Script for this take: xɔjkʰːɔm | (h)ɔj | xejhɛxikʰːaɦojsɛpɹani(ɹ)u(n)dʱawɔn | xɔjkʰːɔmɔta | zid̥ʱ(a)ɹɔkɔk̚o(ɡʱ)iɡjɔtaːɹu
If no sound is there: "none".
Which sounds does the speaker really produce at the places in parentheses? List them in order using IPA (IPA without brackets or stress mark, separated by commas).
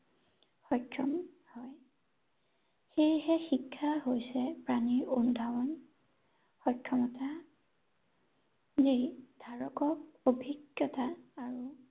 h, ɹ, n, a, bʱ